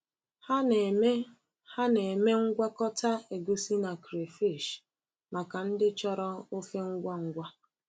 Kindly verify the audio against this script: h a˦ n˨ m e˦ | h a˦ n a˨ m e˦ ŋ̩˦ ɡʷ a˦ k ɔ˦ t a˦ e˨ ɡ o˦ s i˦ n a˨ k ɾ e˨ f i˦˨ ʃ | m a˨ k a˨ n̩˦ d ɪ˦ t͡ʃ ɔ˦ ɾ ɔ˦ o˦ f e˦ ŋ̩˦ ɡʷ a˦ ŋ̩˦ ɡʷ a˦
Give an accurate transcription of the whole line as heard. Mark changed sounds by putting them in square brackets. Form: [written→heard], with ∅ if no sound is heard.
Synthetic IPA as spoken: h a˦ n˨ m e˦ | h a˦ n [a˨→e˨] m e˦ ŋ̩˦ ɡʷ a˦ k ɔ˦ t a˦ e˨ ɡ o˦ s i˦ n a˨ k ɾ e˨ f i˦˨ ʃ | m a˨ k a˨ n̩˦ d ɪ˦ t͡ʃ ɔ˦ ɾ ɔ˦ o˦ f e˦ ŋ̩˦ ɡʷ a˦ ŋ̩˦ ɡʷ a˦